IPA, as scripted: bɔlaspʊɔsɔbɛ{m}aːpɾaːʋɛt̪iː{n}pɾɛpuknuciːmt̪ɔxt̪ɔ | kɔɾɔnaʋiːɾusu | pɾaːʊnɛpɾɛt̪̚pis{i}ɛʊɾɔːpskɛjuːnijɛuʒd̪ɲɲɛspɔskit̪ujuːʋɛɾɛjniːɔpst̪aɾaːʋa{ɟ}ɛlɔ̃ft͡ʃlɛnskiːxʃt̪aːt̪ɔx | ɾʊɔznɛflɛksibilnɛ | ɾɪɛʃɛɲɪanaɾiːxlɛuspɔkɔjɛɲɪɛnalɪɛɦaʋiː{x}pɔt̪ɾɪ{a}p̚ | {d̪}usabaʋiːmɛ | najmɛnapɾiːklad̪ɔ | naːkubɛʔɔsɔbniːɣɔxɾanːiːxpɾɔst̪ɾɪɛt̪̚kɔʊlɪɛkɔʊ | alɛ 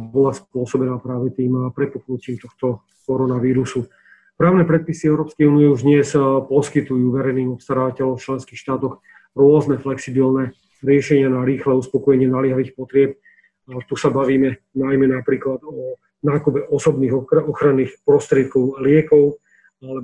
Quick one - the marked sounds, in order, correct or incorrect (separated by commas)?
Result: incorrect, incorrect, correct, incorrect, correct, incorrect, incorrect